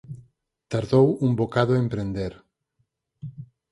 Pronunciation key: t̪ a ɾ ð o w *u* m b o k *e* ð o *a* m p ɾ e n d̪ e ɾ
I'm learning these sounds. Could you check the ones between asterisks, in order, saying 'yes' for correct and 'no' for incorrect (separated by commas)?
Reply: yes, no, no